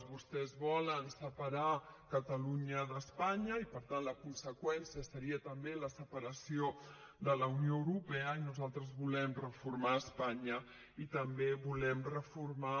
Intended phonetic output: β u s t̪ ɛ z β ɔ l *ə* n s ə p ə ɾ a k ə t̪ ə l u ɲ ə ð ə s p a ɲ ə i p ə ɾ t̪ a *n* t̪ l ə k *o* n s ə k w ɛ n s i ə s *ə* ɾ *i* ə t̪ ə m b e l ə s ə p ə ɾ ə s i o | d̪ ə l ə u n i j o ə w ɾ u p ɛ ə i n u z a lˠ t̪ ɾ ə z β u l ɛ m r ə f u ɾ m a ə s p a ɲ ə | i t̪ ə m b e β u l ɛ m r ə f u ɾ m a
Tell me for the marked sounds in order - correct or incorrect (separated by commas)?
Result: correct, correct, incorrect, correct, correct